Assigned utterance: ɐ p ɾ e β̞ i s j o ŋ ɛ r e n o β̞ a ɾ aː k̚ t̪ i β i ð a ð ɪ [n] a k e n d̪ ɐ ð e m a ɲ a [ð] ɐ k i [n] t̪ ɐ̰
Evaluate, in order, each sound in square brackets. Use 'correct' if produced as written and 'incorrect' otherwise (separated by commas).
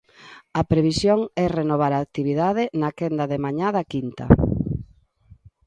correct, correct, correct